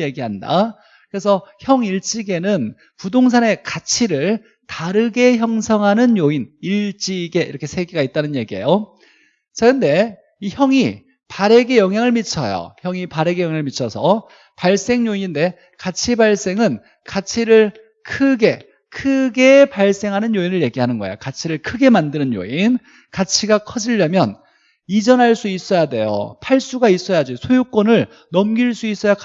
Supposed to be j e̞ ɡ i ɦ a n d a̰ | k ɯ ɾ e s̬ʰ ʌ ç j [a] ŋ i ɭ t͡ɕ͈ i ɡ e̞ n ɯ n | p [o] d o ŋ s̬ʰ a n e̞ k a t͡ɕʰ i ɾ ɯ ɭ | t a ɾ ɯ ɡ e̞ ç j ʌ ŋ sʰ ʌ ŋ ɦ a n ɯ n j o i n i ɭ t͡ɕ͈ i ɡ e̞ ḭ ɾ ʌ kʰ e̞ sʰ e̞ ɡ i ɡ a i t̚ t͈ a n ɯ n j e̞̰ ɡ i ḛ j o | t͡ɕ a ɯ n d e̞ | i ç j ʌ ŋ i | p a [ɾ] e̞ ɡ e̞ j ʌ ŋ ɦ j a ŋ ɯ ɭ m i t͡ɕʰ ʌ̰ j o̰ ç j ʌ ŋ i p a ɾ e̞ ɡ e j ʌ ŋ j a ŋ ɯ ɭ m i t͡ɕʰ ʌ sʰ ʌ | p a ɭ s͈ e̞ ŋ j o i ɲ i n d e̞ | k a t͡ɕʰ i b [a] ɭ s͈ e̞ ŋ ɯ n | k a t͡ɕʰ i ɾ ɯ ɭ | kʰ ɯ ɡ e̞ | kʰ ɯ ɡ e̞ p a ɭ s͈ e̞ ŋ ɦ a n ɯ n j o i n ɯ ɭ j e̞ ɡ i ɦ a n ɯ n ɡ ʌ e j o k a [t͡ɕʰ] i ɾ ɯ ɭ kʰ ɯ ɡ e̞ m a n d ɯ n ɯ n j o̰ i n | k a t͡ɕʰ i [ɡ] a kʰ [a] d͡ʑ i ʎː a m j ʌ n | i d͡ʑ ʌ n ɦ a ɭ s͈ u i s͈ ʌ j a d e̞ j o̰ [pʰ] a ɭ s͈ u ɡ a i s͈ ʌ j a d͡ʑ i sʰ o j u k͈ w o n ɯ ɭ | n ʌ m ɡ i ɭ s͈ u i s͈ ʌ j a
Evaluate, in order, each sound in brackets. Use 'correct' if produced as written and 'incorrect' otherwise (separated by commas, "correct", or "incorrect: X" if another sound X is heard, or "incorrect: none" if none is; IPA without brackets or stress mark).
incorrect: ʌ, incorrect: u, correct, correct, correct, correct, incorrect: ʌ, correct